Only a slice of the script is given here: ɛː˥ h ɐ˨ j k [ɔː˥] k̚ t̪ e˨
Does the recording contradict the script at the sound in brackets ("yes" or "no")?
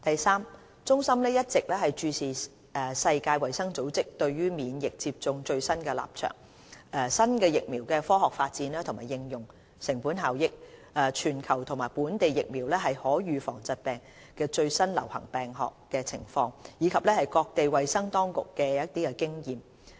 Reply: yes